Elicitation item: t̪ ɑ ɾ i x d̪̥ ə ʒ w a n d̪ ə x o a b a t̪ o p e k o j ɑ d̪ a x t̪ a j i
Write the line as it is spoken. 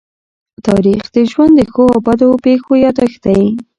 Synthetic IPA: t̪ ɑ ɾ i x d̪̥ ə ʒ w a n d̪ ə x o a b a d̪ o p e x o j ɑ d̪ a x t̪ a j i